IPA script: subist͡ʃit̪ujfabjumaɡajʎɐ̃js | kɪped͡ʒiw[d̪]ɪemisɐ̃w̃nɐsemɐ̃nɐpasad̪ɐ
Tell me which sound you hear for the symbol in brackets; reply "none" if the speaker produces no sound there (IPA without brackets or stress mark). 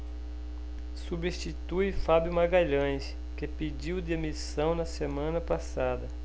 d̪